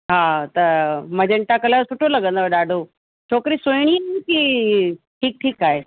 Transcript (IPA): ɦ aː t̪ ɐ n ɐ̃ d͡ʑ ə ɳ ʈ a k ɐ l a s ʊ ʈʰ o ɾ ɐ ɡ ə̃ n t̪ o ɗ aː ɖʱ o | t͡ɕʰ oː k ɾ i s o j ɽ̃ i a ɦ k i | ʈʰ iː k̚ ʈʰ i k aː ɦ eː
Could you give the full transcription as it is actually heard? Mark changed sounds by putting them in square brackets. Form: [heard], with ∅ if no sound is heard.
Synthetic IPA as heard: ɦ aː t̪ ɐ [m] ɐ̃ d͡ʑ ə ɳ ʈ a k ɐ l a s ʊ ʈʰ o [l] ɐ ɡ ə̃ n [d̪] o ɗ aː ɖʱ o | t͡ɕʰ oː k ɾ i s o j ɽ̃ i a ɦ k i | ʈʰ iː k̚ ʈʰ [iː] k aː ɦ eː

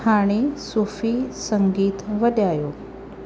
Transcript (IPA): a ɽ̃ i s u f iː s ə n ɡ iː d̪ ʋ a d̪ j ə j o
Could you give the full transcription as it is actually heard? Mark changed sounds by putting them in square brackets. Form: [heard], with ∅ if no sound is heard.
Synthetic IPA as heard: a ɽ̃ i s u f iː s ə [ŋ] ɡ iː [t̪] ʋ [ə] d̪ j [a] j o

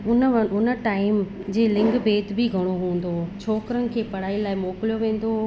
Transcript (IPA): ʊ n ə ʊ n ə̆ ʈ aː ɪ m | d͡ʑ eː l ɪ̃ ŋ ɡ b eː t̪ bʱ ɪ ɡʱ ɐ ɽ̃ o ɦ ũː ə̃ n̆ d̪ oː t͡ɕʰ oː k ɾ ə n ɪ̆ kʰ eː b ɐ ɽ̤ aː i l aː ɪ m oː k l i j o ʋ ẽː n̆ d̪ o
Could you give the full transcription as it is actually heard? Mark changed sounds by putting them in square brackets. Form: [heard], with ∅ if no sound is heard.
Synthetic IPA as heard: ʊ n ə ʊ n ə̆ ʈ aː ɪ m | d͡ʑ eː l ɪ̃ ŋ ɡ b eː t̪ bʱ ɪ ɡʱ ɐ ɽ̃ o ɦ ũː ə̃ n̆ d̪ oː t͡ɕʰ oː k ɾ ə n ɪ̆ kʰ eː [p] ɐ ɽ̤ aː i l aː ɪ m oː k l i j o ʋ ẽː n̆ d̪ o

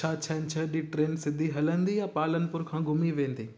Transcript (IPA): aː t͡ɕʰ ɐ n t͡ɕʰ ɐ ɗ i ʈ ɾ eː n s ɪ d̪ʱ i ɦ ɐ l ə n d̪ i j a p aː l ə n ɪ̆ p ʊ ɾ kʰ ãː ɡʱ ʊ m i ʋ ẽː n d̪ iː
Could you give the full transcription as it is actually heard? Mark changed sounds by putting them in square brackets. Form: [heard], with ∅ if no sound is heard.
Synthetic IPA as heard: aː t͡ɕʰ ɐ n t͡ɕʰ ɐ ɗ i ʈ ɾ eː n s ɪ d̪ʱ i ɦ ɐ l ə n d̪ i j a p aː l ə n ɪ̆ p ʊ ɾ kʰ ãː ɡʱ ʊ m i ʋ ẽː n d̪ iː

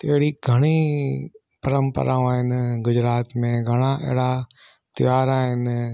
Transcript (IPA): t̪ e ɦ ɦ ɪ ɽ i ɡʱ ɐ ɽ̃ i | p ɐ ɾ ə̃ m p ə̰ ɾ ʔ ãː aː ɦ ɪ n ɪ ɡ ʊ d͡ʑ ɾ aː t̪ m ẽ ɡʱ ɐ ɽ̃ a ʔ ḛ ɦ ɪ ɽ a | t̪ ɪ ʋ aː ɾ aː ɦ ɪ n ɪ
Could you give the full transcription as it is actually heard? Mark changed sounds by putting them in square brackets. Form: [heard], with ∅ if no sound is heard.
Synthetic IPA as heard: t̪ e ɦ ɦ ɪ ɽ i ɡʱ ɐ ɽ̃ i | p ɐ ɾ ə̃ m p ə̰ ɾ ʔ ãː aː ɦ ɪ n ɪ ɡ ʊ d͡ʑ ɾ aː t̪ m ẽ ɡʱ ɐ ɽ̃ a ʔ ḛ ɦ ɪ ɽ a | t̪ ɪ ʋ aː ɾ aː ɦ ɪ n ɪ

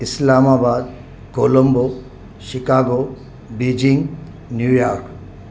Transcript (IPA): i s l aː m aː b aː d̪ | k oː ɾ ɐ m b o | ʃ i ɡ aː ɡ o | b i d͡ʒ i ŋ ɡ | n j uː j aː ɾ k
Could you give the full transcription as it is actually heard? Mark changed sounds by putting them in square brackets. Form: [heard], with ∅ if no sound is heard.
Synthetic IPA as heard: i s l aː m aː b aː d̪ | k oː [l] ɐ m b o | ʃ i [k] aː ɡ o | b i d͡ʒ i ŋ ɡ | n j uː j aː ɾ k

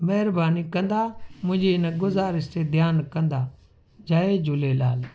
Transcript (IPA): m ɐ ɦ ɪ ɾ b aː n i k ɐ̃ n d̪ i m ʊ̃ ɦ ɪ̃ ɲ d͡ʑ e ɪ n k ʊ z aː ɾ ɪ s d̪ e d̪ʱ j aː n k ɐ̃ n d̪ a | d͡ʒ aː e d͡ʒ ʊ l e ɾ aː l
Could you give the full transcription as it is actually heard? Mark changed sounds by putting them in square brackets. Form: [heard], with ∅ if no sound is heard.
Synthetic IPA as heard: m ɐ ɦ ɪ ɾ b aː n i k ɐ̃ n d̪ [a] m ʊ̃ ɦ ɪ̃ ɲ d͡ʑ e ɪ n [ɡ] ʊ z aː ɾ ɪ s [t̪] e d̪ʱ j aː n k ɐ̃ n d̪ a | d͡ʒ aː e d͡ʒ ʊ l e [l] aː l

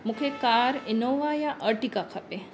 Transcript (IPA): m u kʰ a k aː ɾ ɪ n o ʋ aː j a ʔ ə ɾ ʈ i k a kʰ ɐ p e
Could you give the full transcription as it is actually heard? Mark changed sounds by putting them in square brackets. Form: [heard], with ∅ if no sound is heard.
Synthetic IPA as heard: m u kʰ [e] k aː ɾ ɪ n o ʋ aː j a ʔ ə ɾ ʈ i k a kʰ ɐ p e

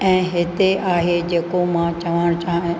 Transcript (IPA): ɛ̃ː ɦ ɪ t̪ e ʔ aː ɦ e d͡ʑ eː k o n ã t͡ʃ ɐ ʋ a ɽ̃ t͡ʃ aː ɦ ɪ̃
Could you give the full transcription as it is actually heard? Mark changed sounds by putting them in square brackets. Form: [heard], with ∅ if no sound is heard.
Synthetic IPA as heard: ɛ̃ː ɦ ɪ t̪ e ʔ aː ɦ e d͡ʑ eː k o [m] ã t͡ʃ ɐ ʋ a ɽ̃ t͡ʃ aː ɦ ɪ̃

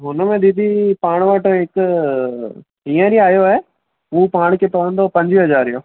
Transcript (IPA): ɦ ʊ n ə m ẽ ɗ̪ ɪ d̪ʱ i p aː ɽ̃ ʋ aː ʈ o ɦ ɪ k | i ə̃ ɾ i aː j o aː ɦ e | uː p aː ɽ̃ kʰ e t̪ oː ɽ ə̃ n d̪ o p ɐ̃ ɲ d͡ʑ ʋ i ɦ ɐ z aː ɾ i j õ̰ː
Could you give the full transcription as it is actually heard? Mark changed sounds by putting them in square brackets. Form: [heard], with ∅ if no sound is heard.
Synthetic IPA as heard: ɦ ʊ n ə m ẽ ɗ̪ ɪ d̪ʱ i p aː ɽ̃ ʋ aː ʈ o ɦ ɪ k | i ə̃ ɾ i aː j o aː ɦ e | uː p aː ɽ̃ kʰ e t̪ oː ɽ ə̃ n d̪ o p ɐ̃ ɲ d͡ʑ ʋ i ɦ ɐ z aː ɾ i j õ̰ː

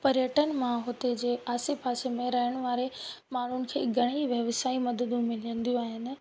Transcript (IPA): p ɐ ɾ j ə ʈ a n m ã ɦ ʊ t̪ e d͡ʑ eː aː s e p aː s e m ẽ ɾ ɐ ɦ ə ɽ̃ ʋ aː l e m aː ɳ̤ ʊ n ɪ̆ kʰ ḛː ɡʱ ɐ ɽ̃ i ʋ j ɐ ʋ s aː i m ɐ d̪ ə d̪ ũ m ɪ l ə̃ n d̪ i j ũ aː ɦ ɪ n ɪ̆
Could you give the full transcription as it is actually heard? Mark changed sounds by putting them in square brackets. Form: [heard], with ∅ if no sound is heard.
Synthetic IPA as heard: p ɐ ɾ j ə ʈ [ə] n m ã ɦ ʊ t̪ e d͡ʑ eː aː s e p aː s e m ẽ ɾ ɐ ɦ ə ɽ̃ ʋ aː [ɾ] e m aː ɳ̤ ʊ n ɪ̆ kʰ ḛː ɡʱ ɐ ɽ̃ i ʋ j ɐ ʋ s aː i m ɐ d̪ ə d̪ ũ m ɪ l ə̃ n d̪ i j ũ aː ɦ ɪ n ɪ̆

